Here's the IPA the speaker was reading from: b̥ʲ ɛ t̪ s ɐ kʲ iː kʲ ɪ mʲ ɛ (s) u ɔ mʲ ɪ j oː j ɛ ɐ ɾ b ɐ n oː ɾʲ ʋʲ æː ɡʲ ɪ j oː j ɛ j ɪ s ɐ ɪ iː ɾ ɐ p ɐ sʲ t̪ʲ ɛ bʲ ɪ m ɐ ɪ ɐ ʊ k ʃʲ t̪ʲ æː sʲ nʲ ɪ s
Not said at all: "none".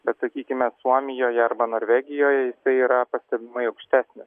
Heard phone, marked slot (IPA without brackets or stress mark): s